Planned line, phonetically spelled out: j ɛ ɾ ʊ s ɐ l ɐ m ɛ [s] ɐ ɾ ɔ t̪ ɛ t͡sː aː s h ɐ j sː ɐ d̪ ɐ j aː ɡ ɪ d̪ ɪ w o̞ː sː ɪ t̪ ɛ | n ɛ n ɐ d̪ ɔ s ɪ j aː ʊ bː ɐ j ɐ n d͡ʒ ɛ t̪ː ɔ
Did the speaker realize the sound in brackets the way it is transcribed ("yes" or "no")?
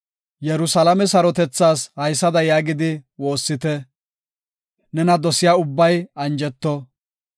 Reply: yes